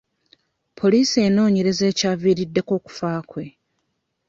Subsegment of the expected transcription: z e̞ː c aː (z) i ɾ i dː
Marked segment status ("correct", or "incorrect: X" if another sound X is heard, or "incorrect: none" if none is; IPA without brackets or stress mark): incorrect: v